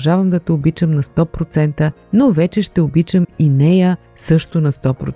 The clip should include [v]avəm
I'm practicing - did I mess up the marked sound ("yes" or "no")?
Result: yes